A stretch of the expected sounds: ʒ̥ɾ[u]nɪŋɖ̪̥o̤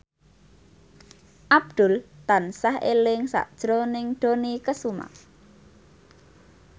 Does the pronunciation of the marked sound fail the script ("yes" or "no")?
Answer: yes